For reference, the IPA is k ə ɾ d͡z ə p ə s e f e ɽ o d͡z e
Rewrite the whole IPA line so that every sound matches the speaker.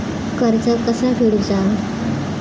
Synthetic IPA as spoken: k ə ɾ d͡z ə k ə s a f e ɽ u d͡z a